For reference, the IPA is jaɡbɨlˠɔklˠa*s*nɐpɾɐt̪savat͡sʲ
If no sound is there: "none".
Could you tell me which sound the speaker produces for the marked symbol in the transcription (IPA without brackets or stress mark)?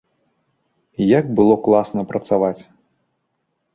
s